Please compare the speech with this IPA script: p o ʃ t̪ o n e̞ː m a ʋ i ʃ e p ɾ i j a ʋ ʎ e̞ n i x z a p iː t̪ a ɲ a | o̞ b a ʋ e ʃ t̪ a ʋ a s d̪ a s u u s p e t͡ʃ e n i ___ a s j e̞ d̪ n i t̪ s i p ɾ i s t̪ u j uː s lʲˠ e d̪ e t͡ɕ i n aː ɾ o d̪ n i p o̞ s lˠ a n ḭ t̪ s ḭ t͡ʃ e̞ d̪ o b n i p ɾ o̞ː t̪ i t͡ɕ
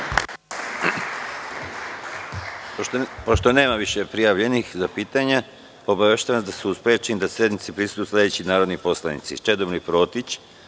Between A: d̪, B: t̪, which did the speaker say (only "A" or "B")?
A